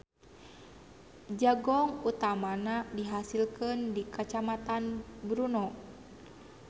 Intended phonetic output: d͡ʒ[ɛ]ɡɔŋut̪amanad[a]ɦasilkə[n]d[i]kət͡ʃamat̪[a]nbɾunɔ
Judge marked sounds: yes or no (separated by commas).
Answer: no, no, yes, yes, yes